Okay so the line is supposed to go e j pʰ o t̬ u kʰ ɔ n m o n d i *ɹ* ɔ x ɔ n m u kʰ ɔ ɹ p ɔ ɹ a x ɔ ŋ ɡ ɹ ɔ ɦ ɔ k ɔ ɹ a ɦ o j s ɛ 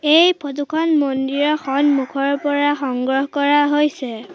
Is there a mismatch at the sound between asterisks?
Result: no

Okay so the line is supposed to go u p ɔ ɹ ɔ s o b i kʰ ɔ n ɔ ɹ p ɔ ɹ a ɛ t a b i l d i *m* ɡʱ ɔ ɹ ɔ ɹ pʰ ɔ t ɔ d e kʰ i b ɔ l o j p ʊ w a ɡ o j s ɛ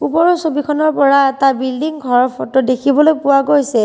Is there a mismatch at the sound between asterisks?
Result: yes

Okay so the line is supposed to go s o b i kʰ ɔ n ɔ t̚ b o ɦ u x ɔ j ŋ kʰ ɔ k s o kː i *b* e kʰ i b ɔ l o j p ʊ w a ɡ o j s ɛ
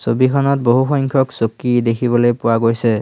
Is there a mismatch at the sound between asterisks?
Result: yes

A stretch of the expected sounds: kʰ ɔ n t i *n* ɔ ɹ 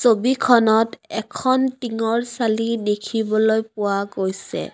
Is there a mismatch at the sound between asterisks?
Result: yes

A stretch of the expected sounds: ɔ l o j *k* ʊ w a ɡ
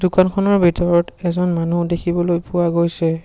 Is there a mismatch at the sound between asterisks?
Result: yes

